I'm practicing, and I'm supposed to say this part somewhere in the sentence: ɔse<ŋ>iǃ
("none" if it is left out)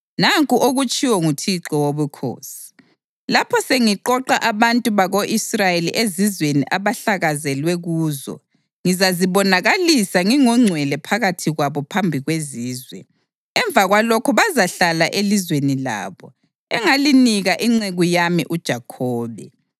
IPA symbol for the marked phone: ŋ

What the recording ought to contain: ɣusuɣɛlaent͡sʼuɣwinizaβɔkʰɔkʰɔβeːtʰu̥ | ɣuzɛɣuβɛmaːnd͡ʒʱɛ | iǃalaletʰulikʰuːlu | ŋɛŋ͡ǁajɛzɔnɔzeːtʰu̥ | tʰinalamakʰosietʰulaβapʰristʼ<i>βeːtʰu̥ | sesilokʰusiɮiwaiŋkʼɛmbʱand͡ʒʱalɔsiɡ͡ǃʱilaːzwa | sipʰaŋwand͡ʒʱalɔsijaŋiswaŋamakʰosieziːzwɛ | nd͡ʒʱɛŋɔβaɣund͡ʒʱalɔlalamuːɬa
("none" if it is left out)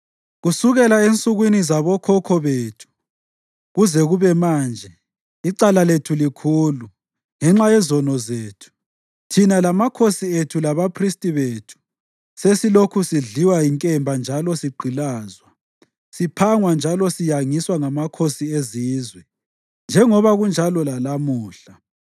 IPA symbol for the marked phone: i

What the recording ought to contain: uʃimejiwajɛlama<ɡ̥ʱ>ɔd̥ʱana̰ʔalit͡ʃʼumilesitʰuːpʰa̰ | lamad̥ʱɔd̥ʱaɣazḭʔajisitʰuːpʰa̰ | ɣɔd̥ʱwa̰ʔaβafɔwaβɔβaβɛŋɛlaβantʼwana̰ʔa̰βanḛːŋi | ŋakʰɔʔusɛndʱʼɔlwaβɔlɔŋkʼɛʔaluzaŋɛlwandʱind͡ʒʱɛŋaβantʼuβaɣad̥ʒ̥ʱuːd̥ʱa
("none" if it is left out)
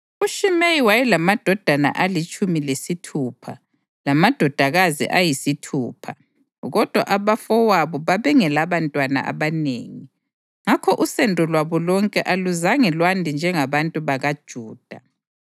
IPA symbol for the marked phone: d̥ʱ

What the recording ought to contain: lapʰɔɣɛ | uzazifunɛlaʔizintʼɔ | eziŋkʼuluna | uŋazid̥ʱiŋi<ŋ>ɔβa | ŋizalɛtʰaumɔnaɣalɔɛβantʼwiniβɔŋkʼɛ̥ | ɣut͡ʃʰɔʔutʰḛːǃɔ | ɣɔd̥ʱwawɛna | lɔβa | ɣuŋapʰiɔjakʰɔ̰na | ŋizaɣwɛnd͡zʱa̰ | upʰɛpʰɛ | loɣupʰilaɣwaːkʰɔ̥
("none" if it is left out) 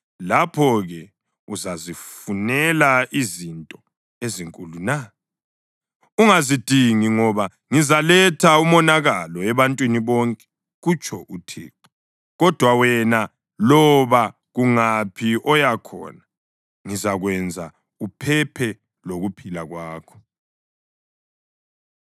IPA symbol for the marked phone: ŋ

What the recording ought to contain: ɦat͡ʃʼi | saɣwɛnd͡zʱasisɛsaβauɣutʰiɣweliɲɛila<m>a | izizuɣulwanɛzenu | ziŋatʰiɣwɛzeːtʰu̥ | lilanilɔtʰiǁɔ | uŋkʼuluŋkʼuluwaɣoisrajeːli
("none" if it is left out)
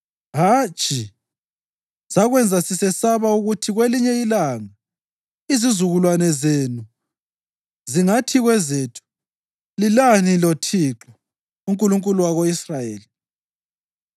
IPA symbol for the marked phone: ŋ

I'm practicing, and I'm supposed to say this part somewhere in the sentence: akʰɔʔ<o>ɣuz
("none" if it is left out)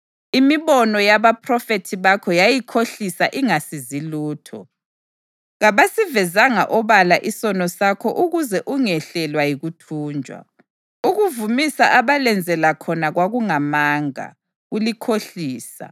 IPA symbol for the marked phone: u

